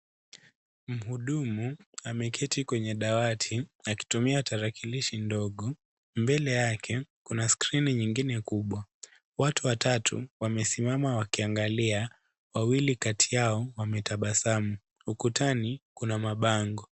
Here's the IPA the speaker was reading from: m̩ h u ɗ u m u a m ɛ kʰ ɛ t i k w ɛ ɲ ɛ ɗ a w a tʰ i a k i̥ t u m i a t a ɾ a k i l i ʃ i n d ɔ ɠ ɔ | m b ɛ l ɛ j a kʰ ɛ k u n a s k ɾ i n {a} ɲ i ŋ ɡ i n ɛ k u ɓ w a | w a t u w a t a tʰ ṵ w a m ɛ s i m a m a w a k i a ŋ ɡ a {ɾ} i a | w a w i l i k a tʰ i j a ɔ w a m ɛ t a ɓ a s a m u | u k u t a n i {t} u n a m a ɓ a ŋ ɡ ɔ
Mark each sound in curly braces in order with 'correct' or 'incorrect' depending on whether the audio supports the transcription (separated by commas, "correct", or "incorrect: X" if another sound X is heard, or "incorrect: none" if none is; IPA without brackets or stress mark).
incorrect: i, incorrect: l, incorrect: k